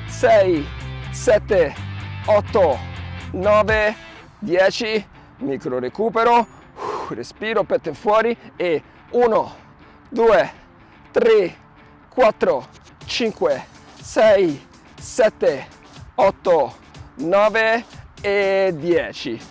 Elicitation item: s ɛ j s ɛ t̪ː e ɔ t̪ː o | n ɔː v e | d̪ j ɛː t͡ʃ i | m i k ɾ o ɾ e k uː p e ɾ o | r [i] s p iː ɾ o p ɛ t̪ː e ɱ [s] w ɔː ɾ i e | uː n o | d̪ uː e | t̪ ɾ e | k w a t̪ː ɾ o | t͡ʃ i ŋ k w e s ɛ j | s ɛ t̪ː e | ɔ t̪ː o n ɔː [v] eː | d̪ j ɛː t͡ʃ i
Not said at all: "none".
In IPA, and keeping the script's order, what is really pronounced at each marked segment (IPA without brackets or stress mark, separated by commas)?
e, f, v